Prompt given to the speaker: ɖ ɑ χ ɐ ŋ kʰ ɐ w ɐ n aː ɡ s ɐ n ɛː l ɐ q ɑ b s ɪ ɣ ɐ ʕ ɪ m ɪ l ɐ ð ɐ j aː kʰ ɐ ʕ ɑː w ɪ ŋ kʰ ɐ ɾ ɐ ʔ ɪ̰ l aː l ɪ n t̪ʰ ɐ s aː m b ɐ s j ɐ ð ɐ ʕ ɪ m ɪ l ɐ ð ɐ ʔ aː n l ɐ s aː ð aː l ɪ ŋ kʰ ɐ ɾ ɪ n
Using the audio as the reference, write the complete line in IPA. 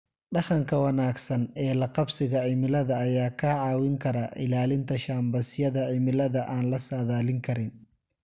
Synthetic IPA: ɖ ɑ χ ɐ ŋ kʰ ɐ w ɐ n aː ɡ s ɐ n ɛː l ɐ q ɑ b s ɪ ɣ ɐ ʕ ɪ m ɪ l ɐ ð ɐː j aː kʰ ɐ ʕ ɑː w ɪ ŋ kʰ ɐ ɾ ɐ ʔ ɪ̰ l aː l ɪ n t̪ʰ ɐ ʃ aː m b ɐ s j ɐ ð ɐ ʕ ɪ m ɪ l ɐ ð ɐ ʔ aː n l ɐ s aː ð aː l ɪ ŋ kʰ ɐ ɾ ɪ n

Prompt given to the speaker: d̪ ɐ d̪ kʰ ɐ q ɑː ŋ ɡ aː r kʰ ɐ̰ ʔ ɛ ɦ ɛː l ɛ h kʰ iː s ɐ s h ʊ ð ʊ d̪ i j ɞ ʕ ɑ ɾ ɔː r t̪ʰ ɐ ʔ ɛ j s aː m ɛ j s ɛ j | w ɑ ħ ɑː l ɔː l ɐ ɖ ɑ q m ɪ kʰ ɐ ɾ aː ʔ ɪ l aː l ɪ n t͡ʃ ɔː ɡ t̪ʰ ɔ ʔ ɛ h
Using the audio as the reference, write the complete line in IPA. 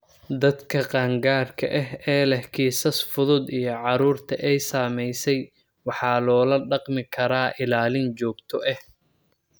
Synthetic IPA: d̪ ɐ d̪ kʰ ɐ q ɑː ŋ ɡ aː r kʰ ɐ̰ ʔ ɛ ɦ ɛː l ɛ h kʰ iː s ɐ s f ʊ ð ʊ d̪ i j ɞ ʕ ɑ ɾ uː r t̪ʰ ɐ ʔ ɛ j s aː m ɛ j s ɛ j | w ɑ ħ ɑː l ɔː l ɐ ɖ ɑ q m ɪ kʰ ɐ ɾ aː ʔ ɪ l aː l ɪ n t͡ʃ ɔː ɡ t̪ʰ ɔ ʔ ɛ h

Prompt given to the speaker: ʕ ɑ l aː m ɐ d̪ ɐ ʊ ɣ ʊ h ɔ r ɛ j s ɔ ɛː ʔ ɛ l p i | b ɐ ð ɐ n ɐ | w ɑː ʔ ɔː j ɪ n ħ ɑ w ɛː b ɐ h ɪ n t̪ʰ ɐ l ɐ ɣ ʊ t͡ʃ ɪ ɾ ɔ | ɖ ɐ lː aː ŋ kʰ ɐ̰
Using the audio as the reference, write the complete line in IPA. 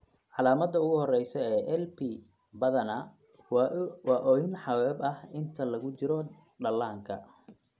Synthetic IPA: ʕ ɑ l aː m ɐ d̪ ɐ ʊ ɣ ʊ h ɔ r ɛ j s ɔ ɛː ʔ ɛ l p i | b ɐ ð ɐ n ɐ | w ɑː ʔ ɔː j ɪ n ħ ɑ w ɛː b ɐ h ɪ n t̪ʰ ɐ l ɐ ɣ ʊ t͡ʃ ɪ ɾ ɔ | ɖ ɐ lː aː ŋ kʰ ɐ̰

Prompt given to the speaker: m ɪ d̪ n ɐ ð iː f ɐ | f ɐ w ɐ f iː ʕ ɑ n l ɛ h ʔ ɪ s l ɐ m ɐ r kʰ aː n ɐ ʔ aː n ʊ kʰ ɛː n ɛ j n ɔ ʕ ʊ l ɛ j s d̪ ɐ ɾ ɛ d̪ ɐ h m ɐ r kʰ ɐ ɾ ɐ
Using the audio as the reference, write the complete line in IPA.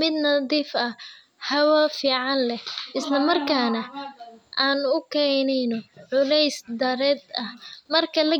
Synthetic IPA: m ɪ d̪ n ɐ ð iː f ɐ | h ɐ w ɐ f iː ʕ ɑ n l ɛ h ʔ ɪ s l ɐ m ɐ r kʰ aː n ɐ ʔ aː n ʊ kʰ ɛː n ɛ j n ɔ ʕ ʊ l ɛ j s d̪ ɐ ɾ ɛ d̪ ɐ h m ɐ r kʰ ɐ l ɐ

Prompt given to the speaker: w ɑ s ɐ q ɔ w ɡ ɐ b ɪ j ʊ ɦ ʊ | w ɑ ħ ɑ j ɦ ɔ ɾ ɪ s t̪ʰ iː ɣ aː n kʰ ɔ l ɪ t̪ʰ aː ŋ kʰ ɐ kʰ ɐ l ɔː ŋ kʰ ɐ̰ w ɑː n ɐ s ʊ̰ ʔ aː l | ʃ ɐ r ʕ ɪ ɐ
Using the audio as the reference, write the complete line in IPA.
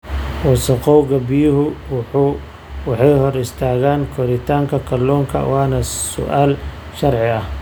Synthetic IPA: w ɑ s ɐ q ɔ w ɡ ɐ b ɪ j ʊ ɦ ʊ | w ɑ ħ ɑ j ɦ ɔ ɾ ɪ s t̪ʰ aː ɣ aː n kʰ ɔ ɾ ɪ t̪ʰ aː ŋ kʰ ɐ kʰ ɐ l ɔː ŋ kʰ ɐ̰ w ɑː n ɐ s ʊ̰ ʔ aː l | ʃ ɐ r ʕ ɪ ɐ

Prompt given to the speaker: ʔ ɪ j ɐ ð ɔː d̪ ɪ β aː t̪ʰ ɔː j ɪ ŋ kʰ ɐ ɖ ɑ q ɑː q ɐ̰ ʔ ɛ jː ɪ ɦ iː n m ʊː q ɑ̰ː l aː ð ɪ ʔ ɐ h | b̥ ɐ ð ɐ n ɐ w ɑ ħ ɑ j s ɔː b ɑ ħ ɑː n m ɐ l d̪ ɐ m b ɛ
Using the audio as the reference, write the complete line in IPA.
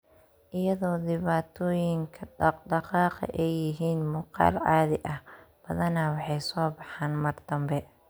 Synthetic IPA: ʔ ɪ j ɐ ð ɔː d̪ ɪ β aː t̪ʰ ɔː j ɪ ŋ kʰ ɐ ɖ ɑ q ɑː q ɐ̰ ʔ ɛ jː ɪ ɦ iː n m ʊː q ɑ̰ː l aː ð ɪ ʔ ɐ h | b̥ ɐ ð ɐ n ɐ w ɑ ħ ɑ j s ɔː b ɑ ħ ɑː n m ɐ r d̪ ɐ m b ɛ

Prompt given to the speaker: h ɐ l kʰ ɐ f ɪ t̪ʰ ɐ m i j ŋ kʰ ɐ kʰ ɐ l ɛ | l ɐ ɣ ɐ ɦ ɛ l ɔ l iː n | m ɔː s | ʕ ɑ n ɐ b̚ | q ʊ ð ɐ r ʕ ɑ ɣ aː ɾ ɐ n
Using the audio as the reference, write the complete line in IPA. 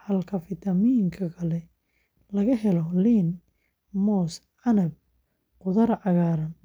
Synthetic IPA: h ɐ l kʰ ɐ f ɪ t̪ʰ ɐ m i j ŋ kʰ ɐ kʰ ɐ l ɛ | l ɐ ɣ ɐ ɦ ɛ l ɔ l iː n | m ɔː s | ʕ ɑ n ɐ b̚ | q ʊ ð ɐ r ʕ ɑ ɣ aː ɾ ɐ n

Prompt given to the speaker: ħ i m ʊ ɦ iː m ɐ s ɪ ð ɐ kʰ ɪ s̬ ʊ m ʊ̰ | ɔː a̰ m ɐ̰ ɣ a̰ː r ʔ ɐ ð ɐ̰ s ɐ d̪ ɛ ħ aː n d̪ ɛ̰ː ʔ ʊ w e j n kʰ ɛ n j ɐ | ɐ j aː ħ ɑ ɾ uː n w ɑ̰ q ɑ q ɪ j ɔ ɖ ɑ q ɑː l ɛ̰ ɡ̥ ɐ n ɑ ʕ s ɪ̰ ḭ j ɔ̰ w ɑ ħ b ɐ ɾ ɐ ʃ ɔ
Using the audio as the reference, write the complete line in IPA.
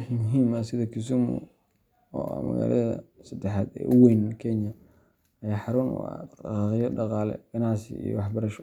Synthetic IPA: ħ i m ʊ ɦ iː m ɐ s ɪ ð ɐ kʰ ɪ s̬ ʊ m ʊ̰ | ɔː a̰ m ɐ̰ ɣ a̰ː l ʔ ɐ ð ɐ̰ s ɐ d̪ ɛ ħ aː d̪ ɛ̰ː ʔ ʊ w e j n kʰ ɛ n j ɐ | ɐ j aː ħ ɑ ɾ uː n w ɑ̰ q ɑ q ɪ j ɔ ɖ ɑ q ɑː l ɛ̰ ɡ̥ ɐ n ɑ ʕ s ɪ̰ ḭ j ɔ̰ w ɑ ħ b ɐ ɾ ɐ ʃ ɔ

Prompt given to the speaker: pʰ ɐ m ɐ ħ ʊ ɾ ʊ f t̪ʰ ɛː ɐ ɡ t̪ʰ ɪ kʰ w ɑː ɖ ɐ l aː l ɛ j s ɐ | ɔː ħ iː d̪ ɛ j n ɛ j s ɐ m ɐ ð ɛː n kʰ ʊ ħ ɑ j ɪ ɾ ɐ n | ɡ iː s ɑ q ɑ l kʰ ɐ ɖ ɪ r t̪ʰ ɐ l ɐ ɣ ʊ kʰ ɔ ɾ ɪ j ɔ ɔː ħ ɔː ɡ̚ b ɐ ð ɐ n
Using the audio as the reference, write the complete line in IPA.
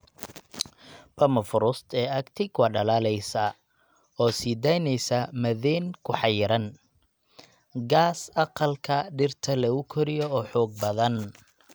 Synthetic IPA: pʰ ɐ m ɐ f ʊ ɾ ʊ s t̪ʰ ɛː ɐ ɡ t̪ʰ ɪ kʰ w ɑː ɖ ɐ l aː l ɛ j s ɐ | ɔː s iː d̪ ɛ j n ɛ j s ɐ m ɐ ð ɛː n kʰ ʊ ħ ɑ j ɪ ɾ ɐ n | ɡ aː s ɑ q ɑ l kʰ ɐ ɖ ɪ r t̪ʰ ɐ l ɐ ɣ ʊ kʰ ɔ ɾ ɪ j ɔ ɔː ħ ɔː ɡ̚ b ɐ ð ɐ n

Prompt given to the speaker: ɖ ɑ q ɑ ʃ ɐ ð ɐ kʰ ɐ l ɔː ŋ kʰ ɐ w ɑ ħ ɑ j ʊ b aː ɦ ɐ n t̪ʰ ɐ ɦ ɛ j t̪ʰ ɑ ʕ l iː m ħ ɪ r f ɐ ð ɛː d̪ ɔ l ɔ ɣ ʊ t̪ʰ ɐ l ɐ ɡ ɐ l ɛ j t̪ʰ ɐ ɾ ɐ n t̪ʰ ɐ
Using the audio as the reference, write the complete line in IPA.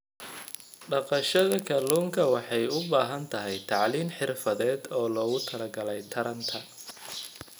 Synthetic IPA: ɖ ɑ q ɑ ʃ ɐ ð ɐ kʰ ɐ l uː ŋ kʰ ɐ w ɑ ħ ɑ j ʊ b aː ɦ ɐ n t̪ʰ ɐ ɦ ɛ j t̪ʰ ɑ ʕ l iː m ħ ɪ r f ɐ ð ɛː d̪ ɔː l ɔː ɣ ʊ t̪ʰ ɐ l ɐ ɡ ɐ l ɛ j t̪ʰ ɐ ɾ ɐ n t̪ʰ ɐ

